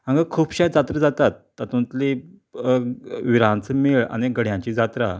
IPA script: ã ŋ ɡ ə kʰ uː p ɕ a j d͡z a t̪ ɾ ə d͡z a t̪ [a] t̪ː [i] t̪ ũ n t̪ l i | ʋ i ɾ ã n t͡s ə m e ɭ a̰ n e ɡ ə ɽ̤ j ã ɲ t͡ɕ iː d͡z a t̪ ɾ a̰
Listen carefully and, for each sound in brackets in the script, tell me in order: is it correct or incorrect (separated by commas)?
correct, incorrect